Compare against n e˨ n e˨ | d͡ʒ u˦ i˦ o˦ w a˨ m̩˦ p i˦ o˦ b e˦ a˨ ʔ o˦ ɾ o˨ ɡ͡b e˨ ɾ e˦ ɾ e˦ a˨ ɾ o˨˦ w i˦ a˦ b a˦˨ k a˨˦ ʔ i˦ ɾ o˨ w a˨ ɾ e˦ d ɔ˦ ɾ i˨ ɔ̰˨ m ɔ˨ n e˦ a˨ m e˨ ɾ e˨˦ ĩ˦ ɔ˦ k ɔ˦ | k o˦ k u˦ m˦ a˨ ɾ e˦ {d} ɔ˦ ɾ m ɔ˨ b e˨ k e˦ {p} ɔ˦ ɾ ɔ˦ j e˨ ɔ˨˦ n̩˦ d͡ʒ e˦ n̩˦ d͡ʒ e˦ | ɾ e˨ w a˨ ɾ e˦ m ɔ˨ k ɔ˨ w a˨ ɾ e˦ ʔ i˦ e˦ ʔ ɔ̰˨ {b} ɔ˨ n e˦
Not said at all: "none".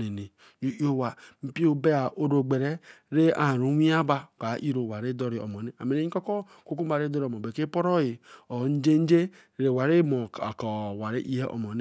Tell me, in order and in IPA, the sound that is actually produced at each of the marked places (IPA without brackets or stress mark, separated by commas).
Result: d, p, m